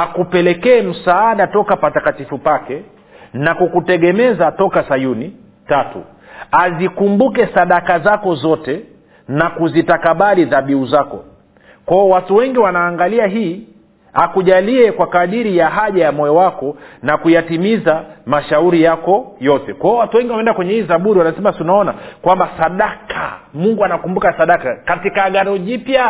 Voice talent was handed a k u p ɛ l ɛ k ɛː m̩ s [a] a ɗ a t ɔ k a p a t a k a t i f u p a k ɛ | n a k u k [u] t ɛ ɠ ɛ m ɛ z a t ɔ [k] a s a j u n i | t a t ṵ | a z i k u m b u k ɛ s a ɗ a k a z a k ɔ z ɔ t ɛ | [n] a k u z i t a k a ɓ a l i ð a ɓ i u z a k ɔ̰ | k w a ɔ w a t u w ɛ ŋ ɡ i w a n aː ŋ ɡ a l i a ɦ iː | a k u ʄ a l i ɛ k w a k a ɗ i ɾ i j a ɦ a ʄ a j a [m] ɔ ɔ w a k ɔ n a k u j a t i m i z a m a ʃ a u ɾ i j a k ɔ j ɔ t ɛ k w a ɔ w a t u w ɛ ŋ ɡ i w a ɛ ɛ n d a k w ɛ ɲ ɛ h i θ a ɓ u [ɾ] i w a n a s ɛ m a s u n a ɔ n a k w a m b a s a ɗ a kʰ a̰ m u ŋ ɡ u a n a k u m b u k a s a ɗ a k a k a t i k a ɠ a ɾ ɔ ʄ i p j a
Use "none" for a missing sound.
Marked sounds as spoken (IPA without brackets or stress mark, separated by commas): a, u, k, n, m, ɾ